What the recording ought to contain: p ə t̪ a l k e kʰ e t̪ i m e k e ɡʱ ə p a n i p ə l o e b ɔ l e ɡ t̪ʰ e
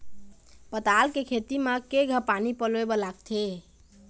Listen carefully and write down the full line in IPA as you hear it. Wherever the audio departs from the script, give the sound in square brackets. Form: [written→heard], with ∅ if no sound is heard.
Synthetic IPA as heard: p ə t̪ a l k e kʰ e t̪ i m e k e ɡʱ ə p a n i p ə l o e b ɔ l [e→a] ɡ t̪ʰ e